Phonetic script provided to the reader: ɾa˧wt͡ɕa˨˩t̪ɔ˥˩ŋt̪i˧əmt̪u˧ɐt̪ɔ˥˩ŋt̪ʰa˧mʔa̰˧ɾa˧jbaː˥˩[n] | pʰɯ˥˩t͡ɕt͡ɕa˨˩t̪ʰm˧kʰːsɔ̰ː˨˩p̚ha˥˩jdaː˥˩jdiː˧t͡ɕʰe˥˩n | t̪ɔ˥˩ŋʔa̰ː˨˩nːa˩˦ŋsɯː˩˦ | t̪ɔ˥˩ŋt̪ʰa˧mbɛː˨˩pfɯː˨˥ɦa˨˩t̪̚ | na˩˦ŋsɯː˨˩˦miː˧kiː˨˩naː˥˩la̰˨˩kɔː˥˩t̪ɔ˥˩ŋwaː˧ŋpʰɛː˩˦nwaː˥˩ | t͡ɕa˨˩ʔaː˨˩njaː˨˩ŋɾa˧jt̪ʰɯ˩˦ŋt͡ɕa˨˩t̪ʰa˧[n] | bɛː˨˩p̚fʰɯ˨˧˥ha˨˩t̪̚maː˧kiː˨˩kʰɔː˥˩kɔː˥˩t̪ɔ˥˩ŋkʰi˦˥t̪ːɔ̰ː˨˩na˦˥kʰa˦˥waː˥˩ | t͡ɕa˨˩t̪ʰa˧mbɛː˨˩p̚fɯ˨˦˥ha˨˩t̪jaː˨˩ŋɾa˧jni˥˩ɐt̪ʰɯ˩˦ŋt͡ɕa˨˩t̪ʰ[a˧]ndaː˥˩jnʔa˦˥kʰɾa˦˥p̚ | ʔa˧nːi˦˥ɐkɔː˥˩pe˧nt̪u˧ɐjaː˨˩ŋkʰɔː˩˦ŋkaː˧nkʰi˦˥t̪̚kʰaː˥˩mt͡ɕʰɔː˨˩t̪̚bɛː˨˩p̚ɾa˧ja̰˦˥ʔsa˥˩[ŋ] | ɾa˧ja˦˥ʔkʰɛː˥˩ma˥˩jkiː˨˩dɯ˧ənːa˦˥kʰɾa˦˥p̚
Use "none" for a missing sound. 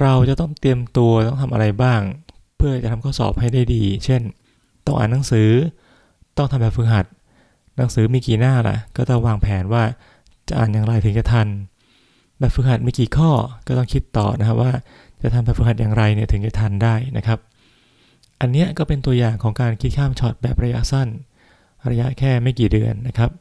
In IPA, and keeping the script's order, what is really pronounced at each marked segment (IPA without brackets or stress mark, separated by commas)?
ŋ, n, a˧, n